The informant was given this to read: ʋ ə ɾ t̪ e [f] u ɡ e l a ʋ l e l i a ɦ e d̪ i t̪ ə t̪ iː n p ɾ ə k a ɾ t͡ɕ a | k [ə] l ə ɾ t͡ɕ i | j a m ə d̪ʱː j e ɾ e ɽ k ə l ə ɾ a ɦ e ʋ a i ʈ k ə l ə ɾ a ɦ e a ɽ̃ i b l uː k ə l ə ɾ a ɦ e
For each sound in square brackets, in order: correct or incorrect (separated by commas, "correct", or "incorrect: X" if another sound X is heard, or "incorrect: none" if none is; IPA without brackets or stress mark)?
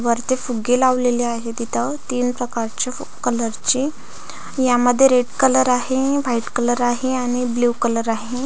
correct, correct